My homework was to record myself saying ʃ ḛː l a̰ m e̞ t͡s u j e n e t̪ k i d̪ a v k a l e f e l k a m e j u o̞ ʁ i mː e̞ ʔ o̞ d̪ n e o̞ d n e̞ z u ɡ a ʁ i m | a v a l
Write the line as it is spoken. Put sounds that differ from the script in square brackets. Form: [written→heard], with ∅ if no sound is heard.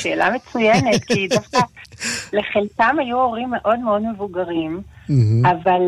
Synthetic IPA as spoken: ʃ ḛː l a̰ m e̞ t͡s u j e n e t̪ k i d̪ a [v→f] k a l e [f→χ] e l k a m [e→a] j u o̞ ʁ i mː e̞ ʔ o̞ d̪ [n→m] e o̞ d [n→m] e̞ [z→v] u ɡ a ʁ i m | a v a l